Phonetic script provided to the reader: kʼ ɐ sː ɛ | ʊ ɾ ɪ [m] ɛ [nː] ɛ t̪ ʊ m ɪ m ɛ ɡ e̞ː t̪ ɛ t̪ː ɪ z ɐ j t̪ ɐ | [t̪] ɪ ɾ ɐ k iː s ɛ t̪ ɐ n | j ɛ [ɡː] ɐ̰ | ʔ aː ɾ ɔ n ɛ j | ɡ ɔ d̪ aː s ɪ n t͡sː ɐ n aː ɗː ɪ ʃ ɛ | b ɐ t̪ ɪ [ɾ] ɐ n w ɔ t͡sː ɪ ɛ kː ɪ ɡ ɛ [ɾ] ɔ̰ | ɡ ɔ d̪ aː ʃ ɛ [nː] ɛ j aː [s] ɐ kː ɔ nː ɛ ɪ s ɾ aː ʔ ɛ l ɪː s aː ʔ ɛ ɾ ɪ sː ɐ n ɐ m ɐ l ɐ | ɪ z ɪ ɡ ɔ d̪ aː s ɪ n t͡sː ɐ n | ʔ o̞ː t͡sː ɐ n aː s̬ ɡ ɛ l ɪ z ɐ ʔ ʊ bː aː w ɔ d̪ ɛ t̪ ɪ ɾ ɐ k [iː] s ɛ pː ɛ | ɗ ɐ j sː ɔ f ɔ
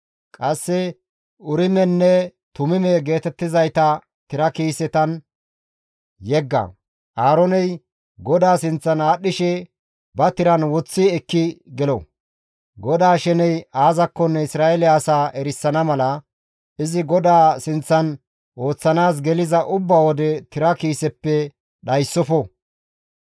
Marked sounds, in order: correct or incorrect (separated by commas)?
correct, correct, correct, correct, correct, incorrect, incorrect, incorrect, correct